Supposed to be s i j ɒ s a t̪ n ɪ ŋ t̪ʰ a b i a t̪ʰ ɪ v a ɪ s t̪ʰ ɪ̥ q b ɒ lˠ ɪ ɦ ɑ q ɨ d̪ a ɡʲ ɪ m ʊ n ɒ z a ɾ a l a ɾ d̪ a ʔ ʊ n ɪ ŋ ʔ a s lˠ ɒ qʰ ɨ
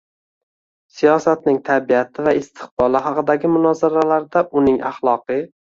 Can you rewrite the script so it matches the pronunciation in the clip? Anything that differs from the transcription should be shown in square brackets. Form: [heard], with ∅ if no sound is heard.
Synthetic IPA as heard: s i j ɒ s a t̪ n ɪ ŋ t̪ʰ a b i a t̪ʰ ɪ v a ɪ s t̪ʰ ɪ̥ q b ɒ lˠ ɪ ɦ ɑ q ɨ d̪ a ɡʲ ɪ m ʊ n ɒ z a ɾ a l a ɾ d̪ a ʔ ʊ n ɪ ŋ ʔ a [χ] lˠ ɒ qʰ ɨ